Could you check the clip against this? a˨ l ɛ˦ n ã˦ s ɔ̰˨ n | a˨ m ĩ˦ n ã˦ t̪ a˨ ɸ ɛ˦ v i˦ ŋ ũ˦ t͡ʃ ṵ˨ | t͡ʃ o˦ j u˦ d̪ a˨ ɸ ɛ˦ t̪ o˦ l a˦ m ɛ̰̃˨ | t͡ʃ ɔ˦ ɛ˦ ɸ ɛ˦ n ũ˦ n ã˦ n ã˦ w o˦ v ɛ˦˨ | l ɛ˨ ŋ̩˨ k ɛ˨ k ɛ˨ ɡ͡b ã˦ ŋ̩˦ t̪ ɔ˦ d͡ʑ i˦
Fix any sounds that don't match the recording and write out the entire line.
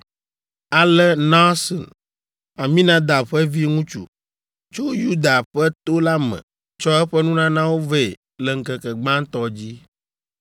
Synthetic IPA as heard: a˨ l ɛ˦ n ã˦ s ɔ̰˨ n | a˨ m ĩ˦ n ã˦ d̪ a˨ ɸ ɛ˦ v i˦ ŋ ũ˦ t͡ʃ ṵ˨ | t͡ʃ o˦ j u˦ d̪ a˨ ɸ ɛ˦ t̪ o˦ l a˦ m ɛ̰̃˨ | t͡ʃ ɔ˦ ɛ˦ ɸ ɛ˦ n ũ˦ n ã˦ n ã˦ w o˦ v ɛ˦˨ | l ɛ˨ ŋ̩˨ k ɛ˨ k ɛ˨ ɡ͡b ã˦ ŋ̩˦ t̪ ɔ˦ d͡ʑ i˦